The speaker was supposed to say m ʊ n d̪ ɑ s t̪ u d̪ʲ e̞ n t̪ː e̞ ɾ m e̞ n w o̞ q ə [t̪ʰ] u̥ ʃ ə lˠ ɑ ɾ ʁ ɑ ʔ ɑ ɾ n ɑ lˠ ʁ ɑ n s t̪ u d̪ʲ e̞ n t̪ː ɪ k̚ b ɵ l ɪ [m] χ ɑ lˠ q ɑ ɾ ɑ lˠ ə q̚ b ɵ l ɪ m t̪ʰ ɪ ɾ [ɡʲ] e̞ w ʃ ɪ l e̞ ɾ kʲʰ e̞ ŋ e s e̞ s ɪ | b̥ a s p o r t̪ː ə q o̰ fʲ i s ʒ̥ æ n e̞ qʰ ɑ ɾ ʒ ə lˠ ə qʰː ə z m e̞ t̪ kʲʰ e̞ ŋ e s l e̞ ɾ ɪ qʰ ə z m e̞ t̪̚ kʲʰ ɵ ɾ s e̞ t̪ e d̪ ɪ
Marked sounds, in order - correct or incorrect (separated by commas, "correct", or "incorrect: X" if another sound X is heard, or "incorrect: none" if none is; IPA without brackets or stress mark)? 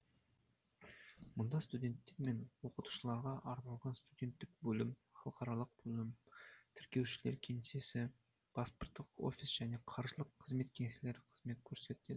incorrect: t̪, correct, incorrect: kʲ